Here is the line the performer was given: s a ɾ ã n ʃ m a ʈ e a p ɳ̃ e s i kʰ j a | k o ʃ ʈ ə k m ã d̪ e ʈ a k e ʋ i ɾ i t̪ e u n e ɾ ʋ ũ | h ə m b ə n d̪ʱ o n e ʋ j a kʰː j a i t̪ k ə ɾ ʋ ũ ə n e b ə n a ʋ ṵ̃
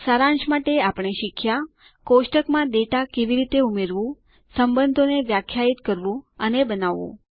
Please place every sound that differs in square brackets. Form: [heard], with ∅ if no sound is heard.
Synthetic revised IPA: s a ɾ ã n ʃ m a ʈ e a p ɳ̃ e [ʃ] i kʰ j a | k o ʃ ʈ ə k m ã d̪ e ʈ a k e ʋ i ɾ i t̪ e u [m] e ɾ ʋ ũ | [s] ə m b ə n d̪ʱ o n e ʋ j a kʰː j a i t̪ k ə ɾ ʋ ũ ə n e b ə n a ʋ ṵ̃

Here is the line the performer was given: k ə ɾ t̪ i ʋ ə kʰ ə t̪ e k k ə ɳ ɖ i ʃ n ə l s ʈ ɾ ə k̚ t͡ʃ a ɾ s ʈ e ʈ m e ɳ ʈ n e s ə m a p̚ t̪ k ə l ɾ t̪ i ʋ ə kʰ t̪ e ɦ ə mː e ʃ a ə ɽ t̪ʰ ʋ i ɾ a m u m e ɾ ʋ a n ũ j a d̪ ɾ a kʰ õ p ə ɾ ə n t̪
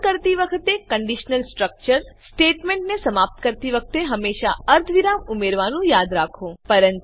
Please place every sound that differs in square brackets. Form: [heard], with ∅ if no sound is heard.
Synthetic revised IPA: k ə ɾ t̪ i ʋ ə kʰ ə t̪ e k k ə ɳ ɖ i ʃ n ə l s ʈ ɾ ə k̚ t͡ʃ [ə] ɾ s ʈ e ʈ m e ɳ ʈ n e s ə m a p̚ t̪ k ə [∅] ɾ t̪ i ʋ ə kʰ t̪ e ɦ ə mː e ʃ a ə [ɾ] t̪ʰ ʋ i ɾ a m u m e ɾ ʋ a n ũ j a d̪ ɾ a kʰ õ p ə ɾ ə n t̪

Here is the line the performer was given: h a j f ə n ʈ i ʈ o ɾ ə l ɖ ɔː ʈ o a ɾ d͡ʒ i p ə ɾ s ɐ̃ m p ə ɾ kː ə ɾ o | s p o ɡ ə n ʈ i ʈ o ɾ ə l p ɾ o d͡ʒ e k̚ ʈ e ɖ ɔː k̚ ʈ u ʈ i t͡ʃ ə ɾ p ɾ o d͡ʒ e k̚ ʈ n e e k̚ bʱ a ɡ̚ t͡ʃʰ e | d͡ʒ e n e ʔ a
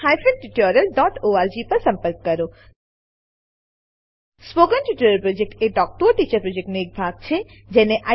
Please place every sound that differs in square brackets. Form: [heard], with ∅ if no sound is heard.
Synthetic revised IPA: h a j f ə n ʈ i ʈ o ɾ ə l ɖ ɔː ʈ o a ɾ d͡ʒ i p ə ɾ s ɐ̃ m p ə ɾ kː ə ɾ o | s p o ɡ ə n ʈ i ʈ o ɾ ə l p ɾ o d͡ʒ e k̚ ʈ e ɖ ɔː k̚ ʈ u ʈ i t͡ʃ ə ɾ p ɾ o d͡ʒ e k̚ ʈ n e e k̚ bʱ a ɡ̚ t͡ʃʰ e | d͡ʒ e n e ʔ a

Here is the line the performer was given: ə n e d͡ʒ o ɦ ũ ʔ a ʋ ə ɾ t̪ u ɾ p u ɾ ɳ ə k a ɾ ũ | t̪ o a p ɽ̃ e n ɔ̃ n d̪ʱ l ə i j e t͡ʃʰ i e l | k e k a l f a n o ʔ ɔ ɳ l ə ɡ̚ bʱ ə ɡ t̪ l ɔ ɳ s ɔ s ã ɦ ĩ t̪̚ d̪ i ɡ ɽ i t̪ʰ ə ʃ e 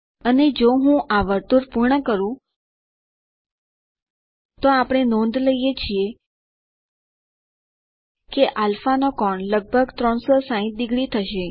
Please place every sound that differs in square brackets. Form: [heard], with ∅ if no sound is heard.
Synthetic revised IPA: ə n e d͡ʒ o ɦ ũ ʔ a ʋ ə ɾ t̪ u ɾ p u ɾ ɳ ə k [ə] ɾ ũ | t̪ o a p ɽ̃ e n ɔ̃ n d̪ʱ l ə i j e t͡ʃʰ i e [∅] | k e [ʔ] a l f a n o [k] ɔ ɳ l ə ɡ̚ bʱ ə ɡ t̪ [ɾ] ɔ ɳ s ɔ s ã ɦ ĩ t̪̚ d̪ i ɡ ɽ i t̪ʰ ə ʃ e

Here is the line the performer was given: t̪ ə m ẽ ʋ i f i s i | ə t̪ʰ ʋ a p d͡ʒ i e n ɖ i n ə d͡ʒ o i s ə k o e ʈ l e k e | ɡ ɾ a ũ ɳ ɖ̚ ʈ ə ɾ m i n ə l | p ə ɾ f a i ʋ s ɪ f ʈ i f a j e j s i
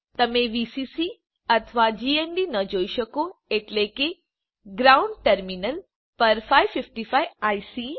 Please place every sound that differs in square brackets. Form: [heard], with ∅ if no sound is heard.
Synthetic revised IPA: t̪ ə m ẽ ʋ i [s] i s i | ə t̪ʰ ʋ a [∅] d͡ʒ i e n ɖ i n ə d͡ʒ o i [ʃ] ə k o e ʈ l e k e | ɡ ɾ a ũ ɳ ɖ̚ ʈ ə ɾ m i n ə l | p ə ɾ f a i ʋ [f] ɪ f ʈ i f a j [a] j s i

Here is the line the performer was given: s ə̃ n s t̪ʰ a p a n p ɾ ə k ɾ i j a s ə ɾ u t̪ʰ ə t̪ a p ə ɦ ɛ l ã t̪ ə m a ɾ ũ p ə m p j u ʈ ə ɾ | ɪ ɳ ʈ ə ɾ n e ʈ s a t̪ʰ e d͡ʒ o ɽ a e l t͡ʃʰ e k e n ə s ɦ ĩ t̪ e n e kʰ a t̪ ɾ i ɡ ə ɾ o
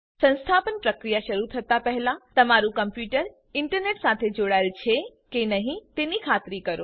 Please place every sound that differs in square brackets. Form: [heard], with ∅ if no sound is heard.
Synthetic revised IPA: s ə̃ n s t̪ʰ a p [ə] n p ɾ ə k ɾ i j a [ʃ] ə ɾ u t̪ʰ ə t̪ a p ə ɦ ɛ l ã t̪ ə m a ɾ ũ [k] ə m p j u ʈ ə ɾ | ɪ ɳ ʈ ə ɾ n e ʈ s a t̪ʰ e d͡ʒ o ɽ a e l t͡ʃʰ e k e n ə [∅] ɦ ĩ t̪ e n [i] kʰ a t̪ ɾ i [k] ə ɾ o

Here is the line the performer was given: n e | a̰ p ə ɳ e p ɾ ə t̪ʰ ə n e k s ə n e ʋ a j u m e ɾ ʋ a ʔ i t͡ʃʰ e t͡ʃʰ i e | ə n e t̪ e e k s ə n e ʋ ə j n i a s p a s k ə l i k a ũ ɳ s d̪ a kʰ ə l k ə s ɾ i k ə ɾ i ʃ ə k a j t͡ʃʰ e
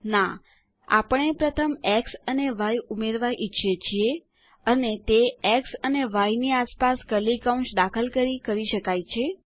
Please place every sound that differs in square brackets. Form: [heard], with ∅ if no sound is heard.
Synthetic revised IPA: n [a] | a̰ p ə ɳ e p ɾ ə t̪ʰ ə [m] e k s ə n e ʋ a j u m e ɾ ʋ a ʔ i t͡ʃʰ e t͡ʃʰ i e | ə n e t̪ e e k s ə n e ʋ [a] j n i a s p a s k ə l i k a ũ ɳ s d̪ a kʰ ə l k ə [∅] ɾ i k ə ɾ i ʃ ə k a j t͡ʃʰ e

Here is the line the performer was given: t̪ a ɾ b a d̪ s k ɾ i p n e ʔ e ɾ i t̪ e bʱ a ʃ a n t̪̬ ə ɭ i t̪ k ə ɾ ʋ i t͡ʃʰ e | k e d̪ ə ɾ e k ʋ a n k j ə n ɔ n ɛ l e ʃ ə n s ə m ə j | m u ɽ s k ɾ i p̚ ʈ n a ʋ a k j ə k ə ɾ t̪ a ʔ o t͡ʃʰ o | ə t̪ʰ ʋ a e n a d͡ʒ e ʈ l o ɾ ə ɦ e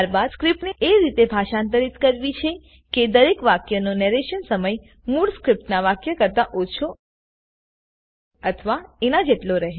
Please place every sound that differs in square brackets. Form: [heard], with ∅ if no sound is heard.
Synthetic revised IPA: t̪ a ɾ b a d̪ s k ɾ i p n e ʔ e ɾ i t̪ e bʱ a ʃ a n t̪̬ ə [ɾ] i t̪ k ə ɾ ʋ i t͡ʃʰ e | k e d̪ ə ɾ e k ʋ a [∅] k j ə n [o] n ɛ [ɾ] e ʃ ə n s ə m ə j | m u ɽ s k ɾ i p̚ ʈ n a ʋ a k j ə k ə ɾ t̪ a ʔ o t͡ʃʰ o | ə t̪ʰ ʋ a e n a d͡ʒ e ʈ l o ɾ ə ɦ e

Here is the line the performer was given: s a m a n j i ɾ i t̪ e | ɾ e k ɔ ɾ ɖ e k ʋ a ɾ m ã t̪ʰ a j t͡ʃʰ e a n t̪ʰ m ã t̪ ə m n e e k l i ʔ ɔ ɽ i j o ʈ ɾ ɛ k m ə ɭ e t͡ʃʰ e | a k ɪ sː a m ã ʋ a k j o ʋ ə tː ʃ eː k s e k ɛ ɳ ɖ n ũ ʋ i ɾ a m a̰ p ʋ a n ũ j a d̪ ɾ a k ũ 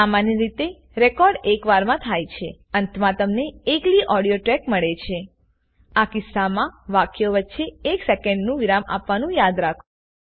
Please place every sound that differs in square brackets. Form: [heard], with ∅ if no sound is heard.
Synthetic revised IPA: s a m a n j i ɾ i t̪ e | ɾ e k ɔ ɾ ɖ e k ʋ a ɾ m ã t̪ʰ a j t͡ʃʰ e [ə] n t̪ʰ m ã t̪ ə m n e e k l i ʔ ɔ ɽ i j o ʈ ɾ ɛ k m ə ɭ e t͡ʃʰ e | a k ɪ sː a m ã ʋ a k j o ʋ ə tː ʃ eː k s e k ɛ ɳ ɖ n ũ ʋ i ɾ a m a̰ p ʋ a n ũ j a d̪ ɾ a [kʰ] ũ

